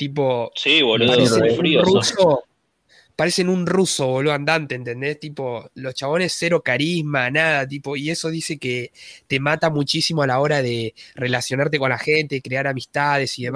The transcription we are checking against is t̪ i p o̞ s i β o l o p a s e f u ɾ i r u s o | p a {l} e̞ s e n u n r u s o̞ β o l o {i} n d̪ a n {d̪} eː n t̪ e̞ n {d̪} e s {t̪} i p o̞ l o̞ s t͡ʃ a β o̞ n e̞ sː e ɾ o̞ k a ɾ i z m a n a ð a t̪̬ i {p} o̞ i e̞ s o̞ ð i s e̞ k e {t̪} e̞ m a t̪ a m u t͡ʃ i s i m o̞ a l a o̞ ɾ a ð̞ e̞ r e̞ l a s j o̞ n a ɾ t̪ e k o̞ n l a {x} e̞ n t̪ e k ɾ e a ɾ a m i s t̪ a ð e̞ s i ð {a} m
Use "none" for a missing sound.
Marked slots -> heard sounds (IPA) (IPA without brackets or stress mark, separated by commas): ɾ, a, t̪, d̪, t̪, p, t̪, x, e